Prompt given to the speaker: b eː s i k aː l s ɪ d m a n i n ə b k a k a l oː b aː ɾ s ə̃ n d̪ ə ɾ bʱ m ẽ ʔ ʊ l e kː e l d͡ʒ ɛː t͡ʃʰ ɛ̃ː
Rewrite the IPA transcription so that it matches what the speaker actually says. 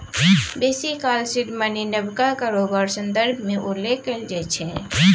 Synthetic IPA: b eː s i k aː l s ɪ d m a n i n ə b k a k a ɾ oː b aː ɾ s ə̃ n d̪ ə ɾ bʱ m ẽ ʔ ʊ l e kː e l d͡ʒ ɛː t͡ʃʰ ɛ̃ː